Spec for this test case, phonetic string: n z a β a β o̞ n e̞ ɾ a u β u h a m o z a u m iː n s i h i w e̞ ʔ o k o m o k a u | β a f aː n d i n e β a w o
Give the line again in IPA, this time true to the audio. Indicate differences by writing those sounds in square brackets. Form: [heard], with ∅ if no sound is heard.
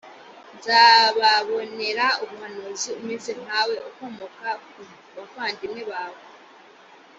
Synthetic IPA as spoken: n z a β a β o̞ n e̞ ɾ a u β u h a [n] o z [i] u m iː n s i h [a] w e̞ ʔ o k o m o k a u | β a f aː n d i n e β a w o